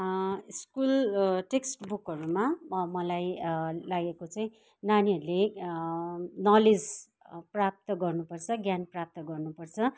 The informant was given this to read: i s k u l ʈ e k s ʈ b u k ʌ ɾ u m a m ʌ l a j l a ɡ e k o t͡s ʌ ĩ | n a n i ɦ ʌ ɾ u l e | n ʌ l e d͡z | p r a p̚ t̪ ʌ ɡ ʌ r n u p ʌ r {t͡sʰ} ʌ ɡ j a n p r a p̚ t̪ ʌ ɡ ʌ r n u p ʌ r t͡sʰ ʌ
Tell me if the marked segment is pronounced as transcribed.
yes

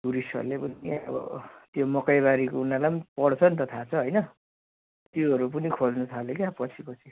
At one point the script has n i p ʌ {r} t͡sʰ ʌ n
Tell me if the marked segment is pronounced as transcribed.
no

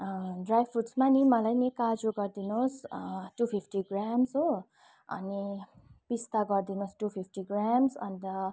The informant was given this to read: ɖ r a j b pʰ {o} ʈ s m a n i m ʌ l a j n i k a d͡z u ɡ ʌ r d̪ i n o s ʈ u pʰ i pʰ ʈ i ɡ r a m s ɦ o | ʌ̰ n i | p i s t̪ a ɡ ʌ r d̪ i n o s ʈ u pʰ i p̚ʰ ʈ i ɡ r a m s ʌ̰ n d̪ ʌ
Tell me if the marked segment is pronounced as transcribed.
no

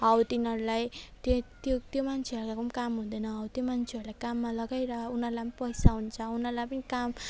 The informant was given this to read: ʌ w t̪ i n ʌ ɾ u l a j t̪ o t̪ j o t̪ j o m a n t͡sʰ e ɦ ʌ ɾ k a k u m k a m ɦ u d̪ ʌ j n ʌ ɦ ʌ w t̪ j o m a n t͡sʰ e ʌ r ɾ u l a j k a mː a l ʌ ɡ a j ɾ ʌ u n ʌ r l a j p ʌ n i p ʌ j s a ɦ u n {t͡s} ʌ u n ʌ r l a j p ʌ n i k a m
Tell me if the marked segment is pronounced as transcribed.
no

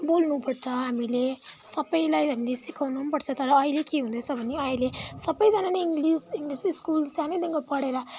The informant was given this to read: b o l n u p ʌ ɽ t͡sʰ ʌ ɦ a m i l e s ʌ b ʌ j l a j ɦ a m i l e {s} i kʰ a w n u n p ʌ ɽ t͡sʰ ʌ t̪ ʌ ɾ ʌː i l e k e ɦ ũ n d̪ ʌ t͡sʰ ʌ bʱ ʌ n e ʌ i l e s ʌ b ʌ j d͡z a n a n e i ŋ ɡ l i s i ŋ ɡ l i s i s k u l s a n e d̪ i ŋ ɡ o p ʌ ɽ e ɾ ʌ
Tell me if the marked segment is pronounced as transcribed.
yes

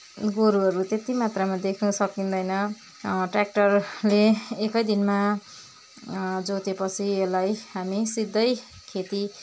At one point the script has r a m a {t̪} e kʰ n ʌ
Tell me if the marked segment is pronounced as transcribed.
no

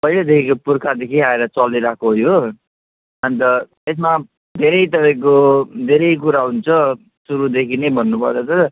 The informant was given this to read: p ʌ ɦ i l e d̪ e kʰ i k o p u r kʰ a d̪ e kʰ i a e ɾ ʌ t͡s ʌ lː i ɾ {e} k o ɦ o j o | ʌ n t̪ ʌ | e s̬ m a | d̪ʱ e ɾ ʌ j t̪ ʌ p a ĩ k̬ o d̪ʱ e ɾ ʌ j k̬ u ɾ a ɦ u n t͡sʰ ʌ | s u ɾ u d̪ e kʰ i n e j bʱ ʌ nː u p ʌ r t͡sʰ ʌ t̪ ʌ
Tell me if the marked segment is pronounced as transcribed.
no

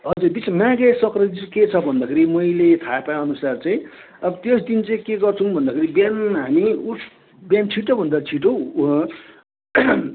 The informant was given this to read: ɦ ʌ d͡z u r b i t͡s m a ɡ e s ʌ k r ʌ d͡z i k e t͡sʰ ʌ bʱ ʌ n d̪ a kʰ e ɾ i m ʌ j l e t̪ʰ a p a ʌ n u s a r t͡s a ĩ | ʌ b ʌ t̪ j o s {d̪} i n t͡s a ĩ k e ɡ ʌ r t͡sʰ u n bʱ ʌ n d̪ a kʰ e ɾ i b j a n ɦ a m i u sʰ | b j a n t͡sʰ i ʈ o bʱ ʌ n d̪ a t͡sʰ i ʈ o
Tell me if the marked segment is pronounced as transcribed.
yes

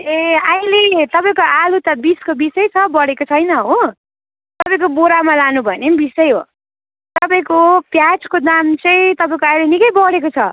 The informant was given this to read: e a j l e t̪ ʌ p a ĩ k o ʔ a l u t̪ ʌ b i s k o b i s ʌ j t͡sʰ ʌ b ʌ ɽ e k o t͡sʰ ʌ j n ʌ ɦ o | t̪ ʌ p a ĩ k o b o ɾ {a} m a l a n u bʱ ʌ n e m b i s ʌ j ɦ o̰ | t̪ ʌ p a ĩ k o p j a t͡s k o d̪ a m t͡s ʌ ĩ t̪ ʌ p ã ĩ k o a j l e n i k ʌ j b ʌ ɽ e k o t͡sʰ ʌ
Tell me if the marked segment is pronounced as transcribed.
yes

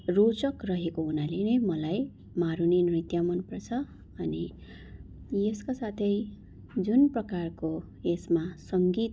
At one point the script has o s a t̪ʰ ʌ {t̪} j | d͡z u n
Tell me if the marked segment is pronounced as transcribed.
no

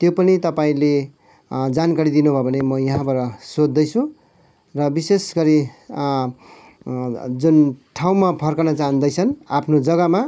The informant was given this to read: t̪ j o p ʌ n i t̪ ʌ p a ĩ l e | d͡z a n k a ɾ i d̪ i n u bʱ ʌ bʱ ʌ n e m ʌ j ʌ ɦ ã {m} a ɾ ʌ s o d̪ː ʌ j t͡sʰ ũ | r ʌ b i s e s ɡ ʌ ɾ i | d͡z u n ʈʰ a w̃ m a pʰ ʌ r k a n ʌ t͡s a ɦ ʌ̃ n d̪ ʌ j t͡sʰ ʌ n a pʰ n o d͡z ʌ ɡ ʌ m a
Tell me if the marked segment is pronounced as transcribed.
no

